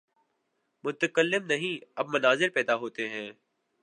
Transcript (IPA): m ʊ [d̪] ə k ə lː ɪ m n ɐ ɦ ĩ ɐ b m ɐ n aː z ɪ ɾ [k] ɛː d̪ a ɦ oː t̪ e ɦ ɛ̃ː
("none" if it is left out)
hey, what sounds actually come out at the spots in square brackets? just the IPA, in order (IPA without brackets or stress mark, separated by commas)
t̪, p